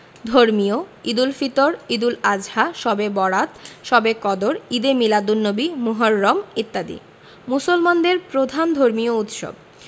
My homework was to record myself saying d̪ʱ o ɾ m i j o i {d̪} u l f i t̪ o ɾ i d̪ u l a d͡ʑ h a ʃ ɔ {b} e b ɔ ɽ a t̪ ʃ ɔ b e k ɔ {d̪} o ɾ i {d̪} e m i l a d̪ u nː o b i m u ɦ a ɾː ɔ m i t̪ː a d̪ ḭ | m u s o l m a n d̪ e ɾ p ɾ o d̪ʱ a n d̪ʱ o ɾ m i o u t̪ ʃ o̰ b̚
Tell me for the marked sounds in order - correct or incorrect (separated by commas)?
correct, correct, correct, correct